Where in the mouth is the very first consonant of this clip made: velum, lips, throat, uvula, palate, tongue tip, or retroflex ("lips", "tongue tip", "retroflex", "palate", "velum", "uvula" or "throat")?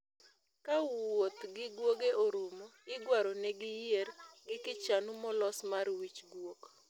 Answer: velum